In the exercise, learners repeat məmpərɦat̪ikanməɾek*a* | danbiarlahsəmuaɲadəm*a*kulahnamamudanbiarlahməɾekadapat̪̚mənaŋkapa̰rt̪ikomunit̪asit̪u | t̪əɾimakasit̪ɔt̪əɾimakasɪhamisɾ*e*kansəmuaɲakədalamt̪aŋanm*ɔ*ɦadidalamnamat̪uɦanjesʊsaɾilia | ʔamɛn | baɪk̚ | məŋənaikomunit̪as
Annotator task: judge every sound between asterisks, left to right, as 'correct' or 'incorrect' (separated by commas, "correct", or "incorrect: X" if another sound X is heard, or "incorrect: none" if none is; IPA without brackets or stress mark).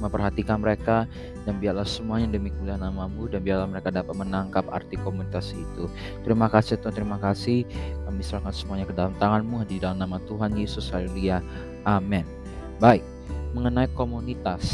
correct, incorrect: i, incorrect: a, incorrect: u